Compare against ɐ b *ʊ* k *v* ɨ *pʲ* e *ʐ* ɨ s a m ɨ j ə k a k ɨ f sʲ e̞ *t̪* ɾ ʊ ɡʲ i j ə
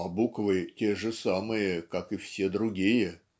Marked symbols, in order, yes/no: no, yes, no, yes, no

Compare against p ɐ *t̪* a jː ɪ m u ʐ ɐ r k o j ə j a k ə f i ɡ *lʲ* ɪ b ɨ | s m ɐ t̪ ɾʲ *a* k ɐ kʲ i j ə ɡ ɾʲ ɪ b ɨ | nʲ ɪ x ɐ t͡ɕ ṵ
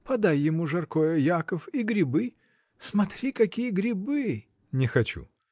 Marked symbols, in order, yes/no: no, no, no

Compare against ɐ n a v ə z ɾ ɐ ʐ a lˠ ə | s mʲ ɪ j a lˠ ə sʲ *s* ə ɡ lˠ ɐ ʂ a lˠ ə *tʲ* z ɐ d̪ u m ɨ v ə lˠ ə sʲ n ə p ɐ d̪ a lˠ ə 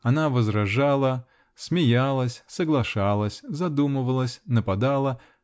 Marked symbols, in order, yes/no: yes, no

